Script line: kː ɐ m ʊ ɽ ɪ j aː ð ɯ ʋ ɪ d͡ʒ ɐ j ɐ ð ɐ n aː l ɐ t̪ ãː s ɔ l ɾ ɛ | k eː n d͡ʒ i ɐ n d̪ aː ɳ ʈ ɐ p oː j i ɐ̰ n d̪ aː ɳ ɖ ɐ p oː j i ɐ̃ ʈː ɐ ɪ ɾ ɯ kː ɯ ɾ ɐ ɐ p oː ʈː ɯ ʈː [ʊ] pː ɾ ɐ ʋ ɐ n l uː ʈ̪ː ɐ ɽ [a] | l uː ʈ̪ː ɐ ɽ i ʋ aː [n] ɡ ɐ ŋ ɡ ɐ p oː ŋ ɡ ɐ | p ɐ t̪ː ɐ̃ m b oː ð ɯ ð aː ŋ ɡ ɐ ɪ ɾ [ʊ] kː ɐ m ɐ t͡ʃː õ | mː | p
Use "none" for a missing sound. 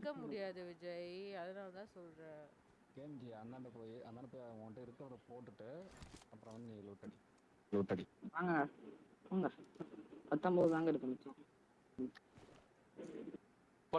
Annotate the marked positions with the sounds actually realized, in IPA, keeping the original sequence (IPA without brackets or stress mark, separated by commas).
ɯ, i, ŋ, ɯ